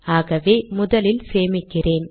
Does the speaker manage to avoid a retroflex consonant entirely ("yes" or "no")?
yes